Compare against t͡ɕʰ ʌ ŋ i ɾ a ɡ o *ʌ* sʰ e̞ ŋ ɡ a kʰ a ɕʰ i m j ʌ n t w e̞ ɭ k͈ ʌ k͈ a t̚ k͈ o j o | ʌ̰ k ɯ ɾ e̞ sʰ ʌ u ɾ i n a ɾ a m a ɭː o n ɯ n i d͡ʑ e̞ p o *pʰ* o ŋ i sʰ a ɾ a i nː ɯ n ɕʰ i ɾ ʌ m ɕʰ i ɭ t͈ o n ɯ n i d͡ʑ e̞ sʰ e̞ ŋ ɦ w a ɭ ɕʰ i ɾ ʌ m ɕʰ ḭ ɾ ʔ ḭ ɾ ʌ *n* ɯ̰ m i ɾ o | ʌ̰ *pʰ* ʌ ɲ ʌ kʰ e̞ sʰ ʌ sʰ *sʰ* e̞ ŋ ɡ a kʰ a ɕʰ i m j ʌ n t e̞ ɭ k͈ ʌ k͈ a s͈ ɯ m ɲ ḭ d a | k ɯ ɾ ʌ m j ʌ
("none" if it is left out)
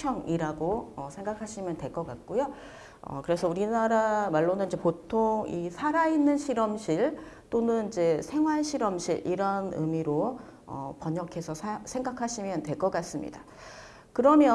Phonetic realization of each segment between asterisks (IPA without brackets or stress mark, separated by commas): ʌ, tʰ, n, p, sʰ